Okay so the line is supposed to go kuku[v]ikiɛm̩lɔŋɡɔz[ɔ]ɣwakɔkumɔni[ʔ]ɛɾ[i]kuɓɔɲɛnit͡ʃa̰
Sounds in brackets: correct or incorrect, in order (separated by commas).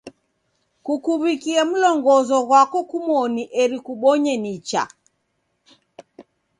incorrect, correct, correct, correct